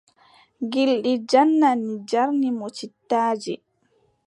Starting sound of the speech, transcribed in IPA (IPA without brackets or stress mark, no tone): ɡ